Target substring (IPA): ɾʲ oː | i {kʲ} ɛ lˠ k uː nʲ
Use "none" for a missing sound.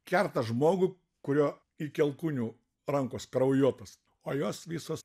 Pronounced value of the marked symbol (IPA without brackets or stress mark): kʲ